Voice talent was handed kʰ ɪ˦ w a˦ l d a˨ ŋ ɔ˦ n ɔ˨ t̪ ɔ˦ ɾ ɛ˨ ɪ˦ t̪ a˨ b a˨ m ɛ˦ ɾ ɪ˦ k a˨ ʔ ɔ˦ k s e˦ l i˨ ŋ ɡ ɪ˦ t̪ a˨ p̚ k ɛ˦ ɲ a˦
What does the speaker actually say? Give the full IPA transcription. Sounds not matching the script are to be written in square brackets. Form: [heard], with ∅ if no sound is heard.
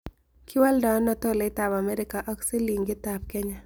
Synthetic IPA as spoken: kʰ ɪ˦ w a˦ l d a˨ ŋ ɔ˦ n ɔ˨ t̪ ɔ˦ [l] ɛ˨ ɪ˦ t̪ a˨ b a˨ m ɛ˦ ɾ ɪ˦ k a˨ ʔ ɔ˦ k s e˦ l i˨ ŋ ɡ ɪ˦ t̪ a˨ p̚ k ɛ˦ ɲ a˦